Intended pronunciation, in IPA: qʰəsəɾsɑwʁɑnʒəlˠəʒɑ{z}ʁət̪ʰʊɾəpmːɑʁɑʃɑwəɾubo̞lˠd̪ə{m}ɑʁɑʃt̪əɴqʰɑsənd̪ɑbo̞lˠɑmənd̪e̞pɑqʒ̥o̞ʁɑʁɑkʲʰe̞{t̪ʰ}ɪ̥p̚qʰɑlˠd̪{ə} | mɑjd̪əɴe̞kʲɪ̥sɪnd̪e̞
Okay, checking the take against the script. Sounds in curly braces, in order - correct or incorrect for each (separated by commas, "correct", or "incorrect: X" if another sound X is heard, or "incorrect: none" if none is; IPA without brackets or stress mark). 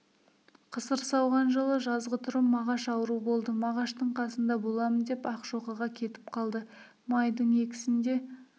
correct, correct, incorrect: t̪, correct